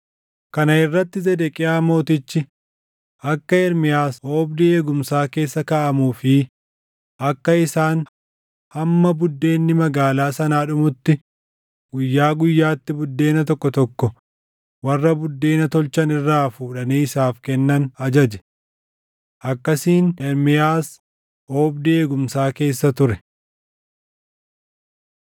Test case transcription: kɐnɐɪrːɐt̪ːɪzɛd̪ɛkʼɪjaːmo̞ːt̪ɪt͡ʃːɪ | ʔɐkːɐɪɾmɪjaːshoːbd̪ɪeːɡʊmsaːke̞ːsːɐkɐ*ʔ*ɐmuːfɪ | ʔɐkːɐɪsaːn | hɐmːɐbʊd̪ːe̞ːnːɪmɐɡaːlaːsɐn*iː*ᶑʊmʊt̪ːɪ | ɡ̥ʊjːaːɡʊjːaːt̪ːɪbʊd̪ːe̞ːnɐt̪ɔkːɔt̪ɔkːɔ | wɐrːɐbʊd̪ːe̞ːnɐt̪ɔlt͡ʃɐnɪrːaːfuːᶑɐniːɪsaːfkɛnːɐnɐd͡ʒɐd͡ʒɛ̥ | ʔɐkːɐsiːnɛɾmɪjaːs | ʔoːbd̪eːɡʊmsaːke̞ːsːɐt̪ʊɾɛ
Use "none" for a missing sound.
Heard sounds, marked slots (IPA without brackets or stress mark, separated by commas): ʔ, aː